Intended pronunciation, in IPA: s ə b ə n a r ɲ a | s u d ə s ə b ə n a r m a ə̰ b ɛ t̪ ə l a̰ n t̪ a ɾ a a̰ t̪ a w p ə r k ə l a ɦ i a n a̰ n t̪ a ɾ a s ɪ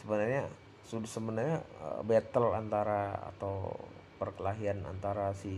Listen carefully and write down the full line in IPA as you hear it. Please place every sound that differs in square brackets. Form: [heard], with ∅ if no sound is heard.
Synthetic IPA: s ə b ə n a r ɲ a | s u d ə s ə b ə n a r [ɲ] a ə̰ b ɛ t̪ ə l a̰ n t̪ a ɾ a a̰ t̪ a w p ə r k ə l a ɦ i a n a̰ n t̪ a ɾ a s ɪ